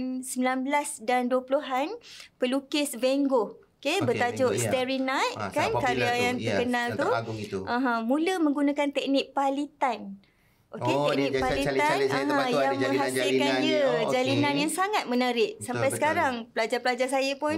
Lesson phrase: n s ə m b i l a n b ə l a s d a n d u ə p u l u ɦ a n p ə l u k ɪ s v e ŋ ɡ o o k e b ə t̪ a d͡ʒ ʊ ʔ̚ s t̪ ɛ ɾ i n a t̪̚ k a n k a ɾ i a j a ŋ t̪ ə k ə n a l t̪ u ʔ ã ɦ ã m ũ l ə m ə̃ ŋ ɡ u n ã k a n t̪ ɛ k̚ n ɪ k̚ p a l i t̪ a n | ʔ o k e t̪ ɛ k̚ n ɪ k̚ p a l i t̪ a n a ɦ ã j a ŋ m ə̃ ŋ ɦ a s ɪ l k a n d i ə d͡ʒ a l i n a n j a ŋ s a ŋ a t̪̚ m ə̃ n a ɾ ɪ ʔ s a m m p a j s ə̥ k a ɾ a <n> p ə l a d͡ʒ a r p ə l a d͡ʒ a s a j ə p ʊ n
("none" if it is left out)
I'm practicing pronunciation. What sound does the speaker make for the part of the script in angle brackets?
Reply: ŋ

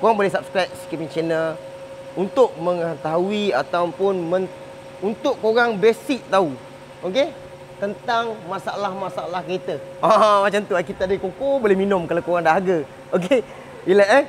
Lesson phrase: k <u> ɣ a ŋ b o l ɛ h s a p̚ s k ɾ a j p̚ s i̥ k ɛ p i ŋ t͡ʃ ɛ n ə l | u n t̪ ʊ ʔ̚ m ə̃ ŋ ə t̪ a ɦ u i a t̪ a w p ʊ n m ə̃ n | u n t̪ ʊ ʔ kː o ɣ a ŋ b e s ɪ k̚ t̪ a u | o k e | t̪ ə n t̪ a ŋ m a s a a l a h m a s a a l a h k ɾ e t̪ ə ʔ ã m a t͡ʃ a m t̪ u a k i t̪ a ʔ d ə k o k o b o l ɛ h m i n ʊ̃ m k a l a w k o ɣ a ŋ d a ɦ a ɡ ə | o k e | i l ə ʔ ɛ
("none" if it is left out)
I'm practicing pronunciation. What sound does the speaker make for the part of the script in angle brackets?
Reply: o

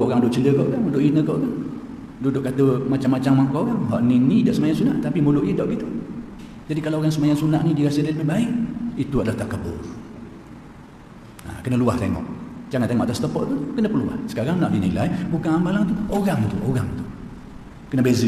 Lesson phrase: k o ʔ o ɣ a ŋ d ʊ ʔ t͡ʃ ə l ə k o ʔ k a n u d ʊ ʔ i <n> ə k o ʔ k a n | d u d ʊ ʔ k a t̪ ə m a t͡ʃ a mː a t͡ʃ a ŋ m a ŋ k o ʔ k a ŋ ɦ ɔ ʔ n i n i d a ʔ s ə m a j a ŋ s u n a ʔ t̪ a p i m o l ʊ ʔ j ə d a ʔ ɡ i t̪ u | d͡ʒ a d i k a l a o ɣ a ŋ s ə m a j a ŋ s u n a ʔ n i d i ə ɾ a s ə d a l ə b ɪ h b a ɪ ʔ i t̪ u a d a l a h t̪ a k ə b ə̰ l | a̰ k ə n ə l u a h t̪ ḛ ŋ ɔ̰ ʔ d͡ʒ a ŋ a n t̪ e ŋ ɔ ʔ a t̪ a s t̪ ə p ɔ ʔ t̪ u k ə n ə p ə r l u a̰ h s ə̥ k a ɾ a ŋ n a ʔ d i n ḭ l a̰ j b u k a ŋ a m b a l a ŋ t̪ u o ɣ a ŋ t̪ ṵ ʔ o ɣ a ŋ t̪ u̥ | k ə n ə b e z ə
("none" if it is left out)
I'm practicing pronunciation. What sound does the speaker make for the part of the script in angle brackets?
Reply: n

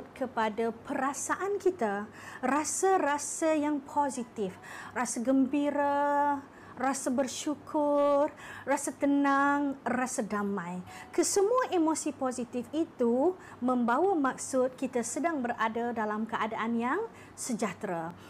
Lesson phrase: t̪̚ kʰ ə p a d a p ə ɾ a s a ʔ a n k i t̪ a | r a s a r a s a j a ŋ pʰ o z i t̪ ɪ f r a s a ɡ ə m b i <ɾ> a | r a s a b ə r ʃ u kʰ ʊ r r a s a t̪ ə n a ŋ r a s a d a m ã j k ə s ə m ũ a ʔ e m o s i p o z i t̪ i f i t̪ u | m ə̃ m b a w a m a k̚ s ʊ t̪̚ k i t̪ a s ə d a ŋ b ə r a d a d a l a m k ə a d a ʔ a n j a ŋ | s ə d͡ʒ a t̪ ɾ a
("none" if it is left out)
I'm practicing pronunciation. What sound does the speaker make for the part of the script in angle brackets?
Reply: ɾ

